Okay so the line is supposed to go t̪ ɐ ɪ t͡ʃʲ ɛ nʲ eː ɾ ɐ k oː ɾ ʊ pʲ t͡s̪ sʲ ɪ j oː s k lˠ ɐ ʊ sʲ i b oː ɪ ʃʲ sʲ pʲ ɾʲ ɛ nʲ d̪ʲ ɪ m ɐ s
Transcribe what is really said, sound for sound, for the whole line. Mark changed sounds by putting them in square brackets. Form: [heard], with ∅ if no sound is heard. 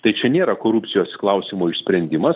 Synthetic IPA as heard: t̪ ɐ ɪ t͡ʃʲ ɛ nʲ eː ɾ ɐ k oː ɾ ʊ pʲ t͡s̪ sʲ ɪ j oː s k lˠ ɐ ʊ sʲ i [m] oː ɪ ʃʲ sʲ pʲ ɾʲ ɛ nʲ d̪ʲ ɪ m ɐ s